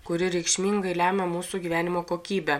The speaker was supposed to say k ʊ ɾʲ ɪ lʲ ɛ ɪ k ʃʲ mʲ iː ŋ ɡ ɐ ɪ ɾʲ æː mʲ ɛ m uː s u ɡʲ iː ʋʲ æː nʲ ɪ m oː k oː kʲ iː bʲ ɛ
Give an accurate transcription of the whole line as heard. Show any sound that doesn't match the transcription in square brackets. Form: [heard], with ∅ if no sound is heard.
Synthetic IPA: k ʊ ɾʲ ɪ [ɾʲ] ɛ ɪ k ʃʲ mʲ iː ŋ ɡ ɐ ɪ [lʲ] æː mʲ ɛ m uː s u ɡʲ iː ʋʲ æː nʲ ɪ m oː k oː kʲ iː bʲ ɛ